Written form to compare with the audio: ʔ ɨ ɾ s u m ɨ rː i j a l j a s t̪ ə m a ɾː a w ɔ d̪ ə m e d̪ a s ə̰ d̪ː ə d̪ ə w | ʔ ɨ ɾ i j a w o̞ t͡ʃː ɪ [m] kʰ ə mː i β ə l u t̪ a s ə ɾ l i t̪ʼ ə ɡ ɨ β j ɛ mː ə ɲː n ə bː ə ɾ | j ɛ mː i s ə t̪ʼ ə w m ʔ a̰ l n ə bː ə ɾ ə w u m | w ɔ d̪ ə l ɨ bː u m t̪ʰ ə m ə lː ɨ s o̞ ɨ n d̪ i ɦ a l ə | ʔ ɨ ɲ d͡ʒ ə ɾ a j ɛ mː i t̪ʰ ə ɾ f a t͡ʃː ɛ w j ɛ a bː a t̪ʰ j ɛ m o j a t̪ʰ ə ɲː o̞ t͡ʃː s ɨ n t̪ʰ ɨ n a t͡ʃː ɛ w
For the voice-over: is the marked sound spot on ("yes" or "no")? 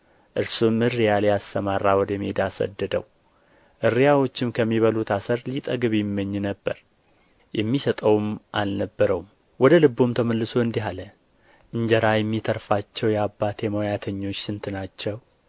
yes